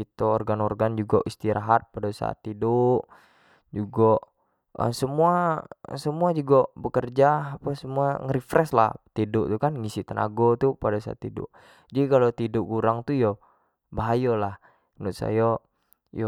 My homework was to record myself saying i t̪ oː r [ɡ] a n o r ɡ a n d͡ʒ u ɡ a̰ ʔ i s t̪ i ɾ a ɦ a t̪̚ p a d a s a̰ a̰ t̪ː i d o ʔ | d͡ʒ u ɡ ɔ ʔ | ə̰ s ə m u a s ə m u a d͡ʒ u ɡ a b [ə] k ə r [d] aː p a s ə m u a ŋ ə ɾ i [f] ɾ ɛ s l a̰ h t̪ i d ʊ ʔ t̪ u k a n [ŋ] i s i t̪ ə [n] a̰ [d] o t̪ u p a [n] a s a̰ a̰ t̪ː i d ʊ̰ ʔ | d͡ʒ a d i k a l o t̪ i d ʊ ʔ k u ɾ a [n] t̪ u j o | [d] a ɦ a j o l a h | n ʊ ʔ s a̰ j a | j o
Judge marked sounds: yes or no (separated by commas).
yes, yes, no, yes, yes, yes, no, no, no, no